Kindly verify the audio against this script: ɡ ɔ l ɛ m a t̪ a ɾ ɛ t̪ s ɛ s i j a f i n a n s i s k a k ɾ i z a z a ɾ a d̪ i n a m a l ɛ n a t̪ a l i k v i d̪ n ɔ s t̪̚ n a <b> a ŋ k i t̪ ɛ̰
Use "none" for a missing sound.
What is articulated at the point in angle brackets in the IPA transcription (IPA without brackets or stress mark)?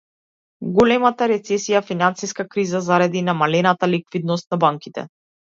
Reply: b